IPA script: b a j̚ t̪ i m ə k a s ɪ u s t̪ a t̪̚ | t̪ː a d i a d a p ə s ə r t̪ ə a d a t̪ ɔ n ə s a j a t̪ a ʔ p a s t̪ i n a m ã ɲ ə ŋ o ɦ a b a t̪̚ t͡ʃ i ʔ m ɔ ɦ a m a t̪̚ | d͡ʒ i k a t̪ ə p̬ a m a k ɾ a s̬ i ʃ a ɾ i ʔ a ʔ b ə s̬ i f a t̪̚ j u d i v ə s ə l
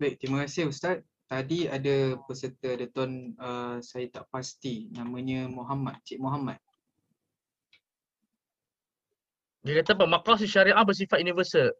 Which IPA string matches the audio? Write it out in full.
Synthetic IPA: b a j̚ t̪ i m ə k a s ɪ u s t̪ a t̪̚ | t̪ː a d i a d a p ə s ə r t̪ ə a d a t̪ ɔ n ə s a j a t̪ a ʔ p a s t̪ i n a m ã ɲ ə m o ɦ a m a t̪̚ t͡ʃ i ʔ m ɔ ɦ a m a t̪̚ | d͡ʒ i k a t̪ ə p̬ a m a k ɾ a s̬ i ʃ a ɾ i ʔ a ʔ b ə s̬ i f a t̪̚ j u n i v ə s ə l